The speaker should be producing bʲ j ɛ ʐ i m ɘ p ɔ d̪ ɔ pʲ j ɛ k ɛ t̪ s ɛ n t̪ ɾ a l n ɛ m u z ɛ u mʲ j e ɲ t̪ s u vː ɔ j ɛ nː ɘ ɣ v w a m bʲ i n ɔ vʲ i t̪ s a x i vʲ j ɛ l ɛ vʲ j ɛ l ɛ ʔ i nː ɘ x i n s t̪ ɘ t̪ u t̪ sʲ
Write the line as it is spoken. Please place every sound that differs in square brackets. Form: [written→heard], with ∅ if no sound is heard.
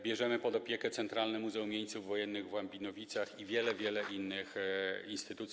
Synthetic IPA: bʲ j ɛ ʐ [i→ɛ] m ɘ p ɔ d̪ ɔ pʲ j ɛ k ɛ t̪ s ɛ n t̪ ɾ a l n ɛ m u z ɛ u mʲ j e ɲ t̪ s u vː ɔ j ɛ nː ɘ ɣ v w a m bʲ i n ɔ vʲ i t̪ s a x i vʲ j ɛ l ɛ vʲ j ɛ l ɛ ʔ i nː ɘ x i n s t̪ ɘ t̪ u t̪ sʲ